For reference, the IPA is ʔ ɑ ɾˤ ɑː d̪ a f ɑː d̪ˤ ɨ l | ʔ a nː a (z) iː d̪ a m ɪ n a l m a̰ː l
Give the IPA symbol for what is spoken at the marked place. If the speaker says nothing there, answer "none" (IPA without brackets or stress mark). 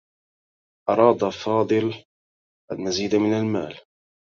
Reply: z